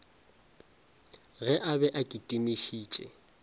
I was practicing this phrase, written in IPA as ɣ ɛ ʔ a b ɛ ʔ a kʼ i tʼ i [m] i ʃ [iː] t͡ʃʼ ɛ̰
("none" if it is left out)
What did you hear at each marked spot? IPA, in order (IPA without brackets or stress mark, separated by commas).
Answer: m, iː